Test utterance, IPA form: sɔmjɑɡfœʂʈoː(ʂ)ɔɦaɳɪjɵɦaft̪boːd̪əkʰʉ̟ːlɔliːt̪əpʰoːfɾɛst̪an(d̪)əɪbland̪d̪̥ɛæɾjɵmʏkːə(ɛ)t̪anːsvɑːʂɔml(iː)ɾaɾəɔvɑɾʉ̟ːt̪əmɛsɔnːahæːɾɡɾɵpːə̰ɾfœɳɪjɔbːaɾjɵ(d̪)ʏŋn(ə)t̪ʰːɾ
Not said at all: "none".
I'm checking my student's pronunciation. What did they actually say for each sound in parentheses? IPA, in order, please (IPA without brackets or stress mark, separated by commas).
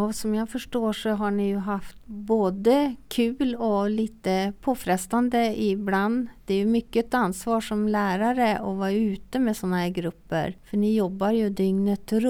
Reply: ʂ, d̪, ɛ, æː, d̪, ə